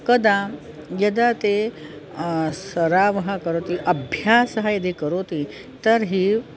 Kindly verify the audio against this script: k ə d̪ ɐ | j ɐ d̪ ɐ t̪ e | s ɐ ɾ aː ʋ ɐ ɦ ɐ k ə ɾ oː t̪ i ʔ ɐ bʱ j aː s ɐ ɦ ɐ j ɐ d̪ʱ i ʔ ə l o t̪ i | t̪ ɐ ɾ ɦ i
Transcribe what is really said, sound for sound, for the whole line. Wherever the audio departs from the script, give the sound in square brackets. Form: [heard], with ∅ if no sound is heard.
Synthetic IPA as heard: k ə d̪ [a] | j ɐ d̪ [a] t̪ e | s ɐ ɾ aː ʋ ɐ ɦ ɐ k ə ɾ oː t̪ i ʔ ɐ bʱ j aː s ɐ ɦ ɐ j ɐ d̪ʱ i [k] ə [ɾ] o t̪ i | t̪ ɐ ɾ ɦ i